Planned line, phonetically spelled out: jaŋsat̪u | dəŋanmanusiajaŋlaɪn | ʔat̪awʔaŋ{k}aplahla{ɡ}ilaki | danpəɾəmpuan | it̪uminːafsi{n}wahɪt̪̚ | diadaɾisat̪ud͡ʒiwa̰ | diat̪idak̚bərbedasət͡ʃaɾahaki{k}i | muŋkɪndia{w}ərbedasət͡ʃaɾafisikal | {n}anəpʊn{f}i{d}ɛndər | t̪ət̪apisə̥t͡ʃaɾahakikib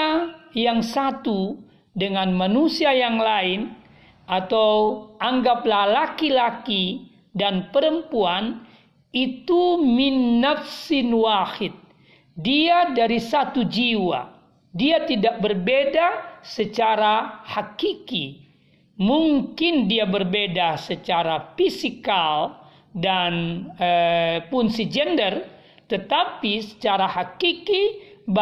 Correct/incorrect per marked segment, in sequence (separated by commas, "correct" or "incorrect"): incorrect, incorrect, correct, correct, incorrect, incorrect, incorrect, incorrect